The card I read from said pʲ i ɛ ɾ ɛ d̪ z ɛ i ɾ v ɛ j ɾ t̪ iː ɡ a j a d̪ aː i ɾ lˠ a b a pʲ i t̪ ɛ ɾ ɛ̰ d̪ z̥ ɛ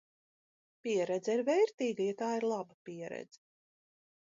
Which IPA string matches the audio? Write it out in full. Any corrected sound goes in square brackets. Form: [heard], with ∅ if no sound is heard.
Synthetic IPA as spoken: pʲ i ɛ ɾ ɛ d̪ z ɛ i ɾ v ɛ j ɾ t̪ iː ɡ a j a [t̪] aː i ɾ lˠ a b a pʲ i [∅] ɛ ɾ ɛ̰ d̪ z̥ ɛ